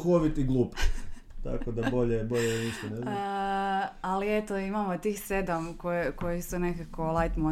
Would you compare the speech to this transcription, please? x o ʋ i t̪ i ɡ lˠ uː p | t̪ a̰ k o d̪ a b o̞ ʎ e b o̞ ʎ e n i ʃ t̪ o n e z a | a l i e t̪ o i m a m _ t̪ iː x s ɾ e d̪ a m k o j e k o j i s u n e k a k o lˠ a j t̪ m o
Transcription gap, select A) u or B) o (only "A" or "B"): B